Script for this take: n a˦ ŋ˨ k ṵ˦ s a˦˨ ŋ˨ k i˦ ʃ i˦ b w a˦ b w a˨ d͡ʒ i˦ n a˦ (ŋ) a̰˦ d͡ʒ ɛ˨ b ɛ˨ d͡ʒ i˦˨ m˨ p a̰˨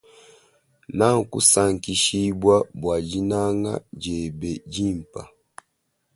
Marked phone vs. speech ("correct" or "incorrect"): correct